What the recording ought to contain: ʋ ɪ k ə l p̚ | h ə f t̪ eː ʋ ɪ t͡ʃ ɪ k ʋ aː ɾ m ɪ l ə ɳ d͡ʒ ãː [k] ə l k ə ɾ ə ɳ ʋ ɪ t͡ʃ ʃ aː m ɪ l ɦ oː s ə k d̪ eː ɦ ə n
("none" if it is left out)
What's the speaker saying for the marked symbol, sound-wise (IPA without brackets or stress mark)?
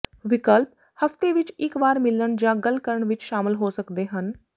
ɡ